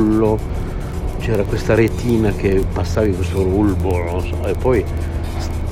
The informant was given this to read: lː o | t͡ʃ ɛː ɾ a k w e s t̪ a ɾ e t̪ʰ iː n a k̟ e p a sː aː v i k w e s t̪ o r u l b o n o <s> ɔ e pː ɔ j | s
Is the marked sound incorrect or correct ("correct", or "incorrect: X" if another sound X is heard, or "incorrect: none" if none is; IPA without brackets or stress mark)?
correct